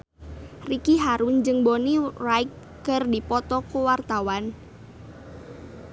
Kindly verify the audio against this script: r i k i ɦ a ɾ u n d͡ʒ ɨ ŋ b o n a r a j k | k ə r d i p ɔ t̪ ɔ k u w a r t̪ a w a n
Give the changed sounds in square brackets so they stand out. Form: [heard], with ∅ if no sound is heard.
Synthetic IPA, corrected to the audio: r i k i ɦ a ɾ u n d͡ʒ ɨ ŋ b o n [i] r a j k | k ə r d i p ɔ t̪ ɔ k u w a r t̪ a w a n